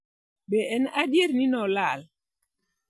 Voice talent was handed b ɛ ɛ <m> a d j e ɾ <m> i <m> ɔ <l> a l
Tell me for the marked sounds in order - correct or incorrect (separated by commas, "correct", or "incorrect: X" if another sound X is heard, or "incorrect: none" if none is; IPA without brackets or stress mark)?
incorrect: n, incorrect: n, incorrect: n, correct